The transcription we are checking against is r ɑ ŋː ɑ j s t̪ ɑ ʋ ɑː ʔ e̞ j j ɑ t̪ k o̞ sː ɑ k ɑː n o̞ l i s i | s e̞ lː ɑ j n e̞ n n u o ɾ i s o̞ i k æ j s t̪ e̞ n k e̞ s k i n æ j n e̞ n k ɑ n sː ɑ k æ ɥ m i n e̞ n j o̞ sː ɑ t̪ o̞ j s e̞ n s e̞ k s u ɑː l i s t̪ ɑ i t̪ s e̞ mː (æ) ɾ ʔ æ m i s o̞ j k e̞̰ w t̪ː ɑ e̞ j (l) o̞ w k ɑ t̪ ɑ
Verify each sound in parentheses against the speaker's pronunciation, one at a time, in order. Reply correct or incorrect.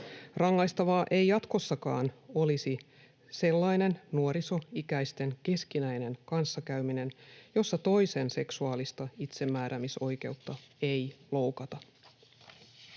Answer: incorrect: æː, correct

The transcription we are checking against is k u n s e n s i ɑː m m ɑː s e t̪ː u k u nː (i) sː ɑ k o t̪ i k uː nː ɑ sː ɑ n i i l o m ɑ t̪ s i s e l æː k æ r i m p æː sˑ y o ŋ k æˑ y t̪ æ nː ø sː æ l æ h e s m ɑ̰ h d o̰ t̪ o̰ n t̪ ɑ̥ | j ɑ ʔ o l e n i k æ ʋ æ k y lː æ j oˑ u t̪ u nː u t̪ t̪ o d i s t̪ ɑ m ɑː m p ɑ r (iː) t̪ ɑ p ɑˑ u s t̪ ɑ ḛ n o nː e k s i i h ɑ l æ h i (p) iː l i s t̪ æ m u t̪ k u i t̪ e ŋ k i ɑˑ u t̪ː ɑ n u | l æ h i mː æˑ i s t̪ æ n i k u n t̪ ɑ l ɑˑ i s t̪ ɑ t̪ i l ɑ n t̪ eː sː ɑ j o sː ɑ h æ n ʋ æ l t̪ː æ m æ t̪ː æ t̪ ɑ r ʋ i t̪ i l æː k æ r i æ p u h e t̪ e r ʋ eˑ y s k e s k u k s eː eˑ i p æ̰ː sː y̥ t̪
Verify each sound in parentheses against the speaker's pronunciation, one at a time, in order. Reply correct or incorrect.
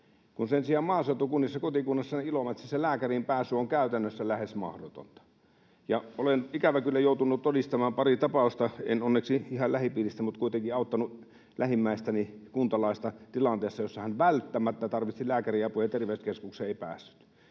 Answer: correct, incorrect: i, correct

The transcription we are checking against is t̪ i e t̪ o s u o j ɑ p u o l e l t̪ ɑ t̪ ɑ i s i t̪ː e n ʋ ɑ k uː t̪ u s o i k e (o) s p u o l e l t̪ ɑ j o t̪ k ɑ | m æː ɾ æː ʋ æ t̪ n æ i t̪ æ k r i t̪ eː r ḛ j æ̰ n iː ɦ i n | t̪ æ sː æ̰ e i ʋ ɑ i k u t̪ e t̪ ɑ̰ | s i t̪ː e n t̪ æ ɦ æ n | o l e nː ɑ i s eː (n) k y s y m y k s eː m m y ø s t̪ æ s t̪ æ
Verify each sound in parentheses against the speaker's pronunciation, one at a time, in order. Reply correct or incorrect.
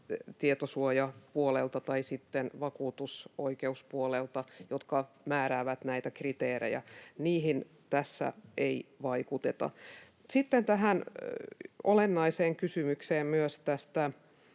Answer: incorrect: u, incorrect: ŋ

